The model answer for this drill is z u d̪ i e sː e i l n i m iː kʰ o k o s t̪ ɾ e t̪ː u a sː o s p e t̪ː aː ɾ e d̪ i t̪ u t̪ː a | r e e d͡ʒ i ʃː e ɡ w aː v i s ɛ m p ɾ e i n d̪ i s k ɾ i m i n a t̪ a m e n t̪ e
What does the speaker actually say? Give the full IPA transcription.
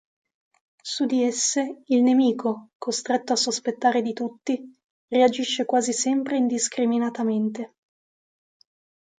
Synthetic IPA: s u d̪ i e sː e i l n e m iː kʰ o k o s t̪ ɾ e t̪ː o a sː o s p e t̪ː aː ɾ e d̪ i t̪ u t̪ː i | r e a d͡ʒ i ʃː e k w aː z i s ɛ m p ɾ e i n d̪ i s k ɾ i m i n a t̪ a m e n t̪ e

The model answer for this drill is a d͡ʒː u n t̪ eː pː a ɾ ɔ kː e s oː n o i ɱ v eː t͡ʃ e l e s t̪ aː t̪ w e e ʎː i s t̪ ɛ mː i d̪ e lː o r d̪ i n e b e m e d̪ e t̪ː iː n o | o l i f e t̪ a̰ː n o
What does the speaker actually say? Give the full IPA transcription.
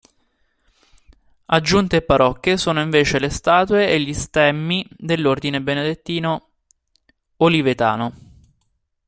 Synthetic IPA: a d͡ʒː u n t̪ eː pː a ɾ ɔ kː e s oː n o i ɱ v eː t͡ʃ e l e s t̪ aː t̪ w e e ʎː i s t̪ ɛ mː i d̪ e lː o r d̪ i n e b e n e d̪ e t̪ː iː n o | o l i v e t̪ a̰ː n o

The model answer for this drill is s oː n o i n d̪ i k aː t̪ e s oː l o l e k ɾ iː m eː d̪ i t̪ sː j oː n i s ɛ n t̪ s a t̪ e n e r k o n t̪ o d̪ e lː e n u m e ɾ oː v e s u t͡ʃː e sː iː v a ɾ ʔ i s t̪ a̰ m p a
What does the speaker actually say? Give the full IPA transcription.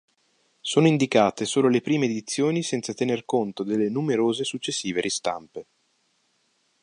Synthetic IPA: s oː n o i n d̪ i k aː t̪ e s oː l o l e p ɾ iː m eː d̪ i t̪ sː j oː n i s ɛ n t̪ s a t̪ e n e r k o n t̪ o d̪ e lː e n u m e ɾ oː z e s u t͡ʃː e sː iː v e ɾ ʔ i s t̪ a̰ m p e

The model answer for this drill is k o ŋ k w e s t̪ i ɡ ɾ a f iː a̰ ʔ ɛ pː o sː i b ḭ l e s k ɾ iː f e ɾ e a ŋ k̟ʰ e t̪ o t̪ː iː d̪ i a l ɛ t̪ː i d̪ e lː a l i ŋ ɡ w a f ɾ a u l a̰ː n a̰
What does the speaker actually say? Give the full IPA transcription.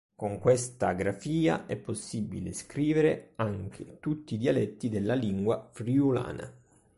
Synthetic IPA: k o ŋ k w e s t̪ a ɡ ɾ a f iː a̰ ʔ ɛ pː o sː i b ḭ l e s k ɾ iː v e ɾ e a ŋ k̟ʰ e t̪ u t̪ː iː d̪ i a l ɛ t̪ː i d̪ e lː a l i ŋ ɡ w a f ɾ i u l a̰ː n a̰

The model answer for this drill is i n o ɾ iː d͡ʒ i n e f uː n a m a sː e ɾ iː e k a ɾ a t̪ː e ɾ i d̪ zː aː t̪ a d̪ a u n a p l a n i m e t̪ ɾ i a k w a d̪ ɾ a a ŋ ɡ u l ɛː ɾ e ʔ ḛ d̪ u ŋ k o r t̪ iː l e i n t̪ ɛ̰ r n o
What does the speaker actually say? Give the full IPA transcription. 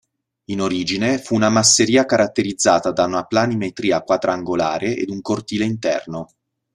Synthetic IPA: i n o ɾ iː d͡ʒ i n e f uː n a m a sː e ɾ iː a k a ɾ a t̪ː e ɾ i d̪ zː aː t̪ a d̪ a u n a p l a n i m e t̪ ɾ iː a k w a d̪ ɾ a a ŋ ɡ o l aː ɾ e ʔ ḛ d̪ u ŋ k o r t̪ iː l e i n t̪ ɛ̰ r n o

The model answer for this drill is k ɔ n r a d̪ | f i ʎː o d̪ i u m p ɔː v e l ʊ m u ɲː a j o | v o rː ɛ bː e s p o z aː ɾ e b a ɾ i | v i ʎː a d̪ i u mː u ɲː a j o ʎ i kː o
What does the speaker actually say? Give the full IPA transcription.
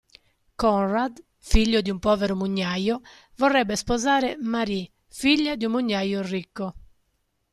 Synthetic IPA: k ɔ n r a d̪ | f i ʎː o d̪ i u m p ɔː v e ɾ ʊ m u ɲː a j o | v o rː ɛ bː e s p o z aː ɾ e m a ɾ i | f i ʎː a d̪ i u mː u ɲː a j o r i kː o

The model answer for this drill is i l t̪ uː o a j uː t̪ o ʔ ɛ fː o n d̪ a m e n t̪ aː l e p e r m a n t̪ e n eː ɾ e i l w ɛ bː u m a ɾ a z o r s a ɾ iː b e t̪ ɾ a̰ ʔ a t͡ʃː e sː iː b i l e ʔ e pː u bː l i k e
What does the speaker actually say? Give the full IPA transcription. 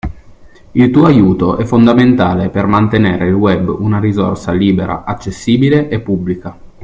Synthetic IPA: i l t̪ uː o a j uː t̪ o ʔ ɛ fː o n d̪ a m e n t̪ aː l e p e r m a n t̪ e n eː ɾ e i l w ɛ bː u n a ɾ i z o r s a l iː b e ɾ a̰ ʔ a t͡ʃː e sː iː b i l e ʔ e pː u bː l i k a

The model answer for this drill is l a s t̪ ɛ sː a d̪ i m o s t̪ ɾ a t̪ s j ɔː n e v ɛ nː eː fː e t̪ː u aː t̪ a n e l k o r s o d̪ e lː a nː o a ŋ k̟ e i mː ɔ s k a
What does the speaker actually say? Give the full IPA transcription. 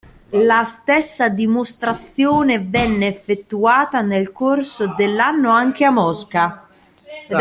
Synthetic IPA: l a s t̪ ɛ sː a d̪ i m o s t̪ ɾ a t̪ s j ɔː n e v ɛ nː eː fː e t̪ː u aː t̪ a n e l k o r s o d̪ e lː a nː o a ŋ k̟ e a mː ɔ s k a

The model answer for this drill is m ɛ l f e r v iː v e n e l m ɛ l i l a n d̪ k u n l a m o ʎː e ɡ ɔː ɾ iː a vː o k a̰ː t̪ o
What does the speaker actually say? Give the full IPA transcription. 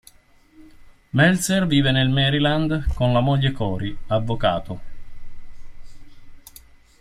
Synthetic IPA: m ɛ l s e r v iː v e n e l m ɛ ɾ i l a n d̪ k o n l a m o ʎː e k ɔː ɾ i a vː o k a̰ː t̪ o

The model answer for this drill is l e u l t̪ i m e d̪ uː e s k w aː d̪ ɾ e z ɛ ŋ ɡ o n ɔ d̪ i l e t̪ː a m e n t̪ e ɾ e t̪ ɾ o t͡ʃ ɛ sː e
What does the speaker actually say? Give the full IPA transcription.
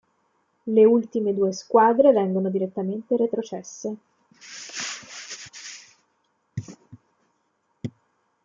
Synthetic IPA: l e u l t̪ i m e d̪ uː e s k w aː d̪ ɾ e v ɛ ŋ ɡ o n o d̪ i ɾ e t̪ː a m e n t̪ e ɾ e t̪ ɾ o t͡ʃ ɛ sː e

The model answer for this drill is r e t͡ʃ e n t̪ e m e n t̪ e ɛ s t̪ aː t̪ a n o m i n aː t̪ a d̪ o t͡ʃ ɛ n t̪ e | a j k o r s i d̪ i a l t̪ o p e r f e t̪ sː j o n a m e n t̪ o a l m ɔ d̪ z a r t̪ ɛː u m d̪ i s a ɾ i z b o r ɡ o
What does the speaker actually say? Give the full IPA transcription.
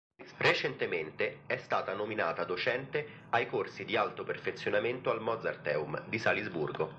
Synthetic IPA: r e t͡ʃ e n t̪ e m e n t̪ e ɛ s t̪ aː t̪ a n o m i n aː t̪ a d̪ o t͡ʃ ɛ n t̪ e | a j k o r s i d̪ i a l t̪ o p e r f e t̪ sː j o n a m e n t̪ o a l m ɔ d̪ z a r t̪ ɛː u m d̪ i s a l i z b u r ɡ o

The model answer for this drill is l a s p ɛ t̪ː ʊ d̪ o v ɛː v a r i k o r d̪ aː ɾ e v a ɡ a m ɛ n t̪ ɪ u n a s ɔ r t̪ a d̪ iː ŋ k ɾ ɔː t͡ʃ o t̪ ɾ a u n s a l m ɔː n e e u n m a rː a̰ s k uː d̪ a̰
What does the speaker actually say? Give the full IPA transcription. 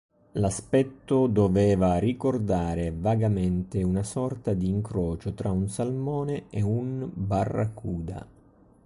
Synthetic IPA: l a s p ɛ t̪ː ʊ d̪ o v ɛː v a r i k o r d̪ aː ɾ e v a ɡ a m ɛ n t̪ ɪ u n a s ɔ r t̪ a d̪ iː ŋ k ɾ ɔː t͡ʃ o t̪ ɾ a u n s a l m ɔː n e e u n b a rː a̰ k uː d̪ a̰

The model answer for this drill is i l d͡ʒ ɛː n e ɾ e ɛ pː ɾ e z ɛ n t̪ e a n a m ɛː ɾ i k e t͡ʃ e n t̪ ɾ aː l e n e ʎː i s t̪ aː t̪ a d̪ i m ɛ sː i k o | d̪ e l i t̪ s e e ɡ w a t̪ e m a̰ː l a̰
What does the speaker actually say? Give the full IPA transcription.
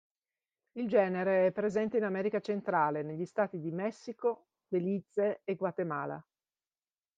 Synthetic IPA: i l d͡ʒ ɛː n e ɾ e ɛ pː ɾ e z ɛ n t̪ e i n a m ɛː ɾ i k a t͡ʃ e n t̪ ɾ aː l e n e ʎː i s t̪ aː t̪ i d̪ i m ɛ sː i k o | d̪ e l i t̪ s e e ɡ w a t̪ e m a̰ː l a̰

